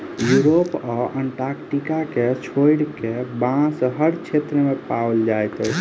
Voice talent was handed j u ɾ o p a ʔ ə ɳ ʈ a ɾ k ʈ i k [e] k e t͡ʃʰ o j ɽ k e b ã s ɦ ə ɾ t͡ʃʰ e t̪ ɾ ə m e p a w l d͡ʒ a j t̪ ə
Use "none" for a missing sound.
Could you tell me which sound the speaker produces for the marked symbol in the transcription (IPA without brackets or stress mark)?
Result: a